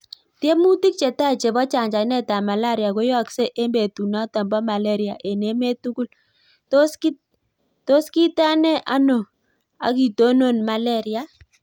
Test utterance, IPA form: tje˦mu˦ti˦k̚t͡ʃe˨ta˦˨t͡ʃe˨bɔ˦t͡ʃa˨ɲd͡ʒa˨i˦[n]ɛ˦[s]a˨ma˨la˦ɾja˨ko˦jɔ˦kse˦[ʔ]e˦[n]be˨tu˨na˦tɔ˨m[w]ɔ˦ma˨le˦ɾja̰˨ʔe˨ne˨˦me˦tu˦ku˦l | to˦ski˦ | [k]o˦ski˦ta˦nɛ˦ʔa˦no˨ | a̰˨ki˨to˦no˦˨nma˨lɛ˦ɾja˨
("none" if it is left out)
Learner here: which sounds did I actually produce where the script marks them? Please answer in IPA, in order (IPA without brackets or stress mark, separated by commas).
n, t, ʔ, m, b, t